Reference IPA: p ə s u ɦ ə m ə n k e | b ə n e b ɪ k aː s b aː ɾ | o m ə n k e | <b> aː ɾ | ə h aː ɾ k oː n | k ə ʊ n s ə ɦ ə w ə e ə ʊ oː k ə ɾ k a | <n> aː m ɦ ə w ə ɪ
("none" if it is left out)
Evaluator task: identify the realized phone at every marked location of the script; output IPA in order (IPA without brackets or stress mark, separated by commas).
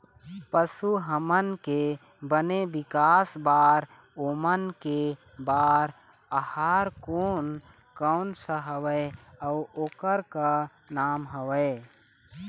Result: b, n